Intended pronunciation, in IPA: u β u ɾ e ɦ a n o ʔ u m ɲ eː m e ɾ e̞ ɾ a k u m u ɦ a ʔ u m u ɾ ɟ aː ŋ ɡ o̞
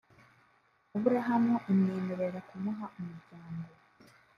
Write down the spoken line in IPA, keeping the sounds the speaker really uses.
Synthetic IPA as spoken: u β u ɾ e ɦ a m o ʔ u m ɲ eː m e ɾ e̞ ɾ a k u m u ɦ a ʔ u m u ɾ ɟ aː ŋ ɡ o̞